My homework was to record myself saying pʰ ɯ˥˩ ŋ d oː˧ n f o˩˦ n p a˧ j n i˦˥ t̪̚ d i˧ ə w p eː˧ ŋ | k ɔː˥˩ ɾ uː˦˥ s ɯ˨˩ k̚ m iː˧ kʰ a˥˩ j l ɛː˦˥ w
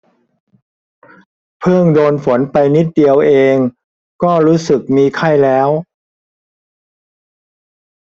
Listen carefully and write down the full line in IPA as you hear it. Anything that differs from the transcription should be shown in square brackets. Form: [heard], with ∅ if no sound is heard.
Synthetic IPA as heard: pʰ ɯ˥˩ ŋ d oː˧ n f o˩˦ n p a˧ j n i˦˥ t̪̚ d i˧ ə w [ʔ] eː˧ ŋ | k ɔː˥˩ ɾ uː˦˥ s ɯ˨˩ k̚ m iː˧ kʰ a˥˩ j l ɛː˦˥ w